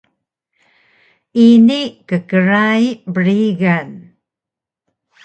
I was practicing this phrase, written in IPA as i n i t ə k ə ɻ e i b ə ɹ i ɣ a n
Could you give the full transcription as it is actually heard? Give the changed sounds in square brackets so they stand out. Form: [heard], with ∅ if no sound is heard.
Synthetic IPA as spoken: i n i [k] ə k ə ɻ [a] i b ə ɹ i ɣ a n